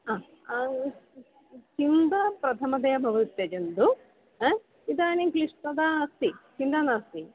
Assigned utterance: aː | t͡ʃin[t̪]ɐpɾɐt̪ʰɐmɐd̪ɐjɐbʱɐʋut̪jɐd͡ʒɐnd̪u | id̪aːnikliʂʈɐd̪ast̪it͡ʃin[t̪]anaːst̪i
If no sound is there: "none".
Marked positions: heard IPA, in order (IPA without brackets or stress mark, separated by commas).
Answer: d̪, d̪